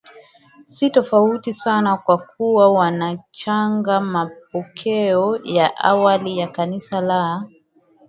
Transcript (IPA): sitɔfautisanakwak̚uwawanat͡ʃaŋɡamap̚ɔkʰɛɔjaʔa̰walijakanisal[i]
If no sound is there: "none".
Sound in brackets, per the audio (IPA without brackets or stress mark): a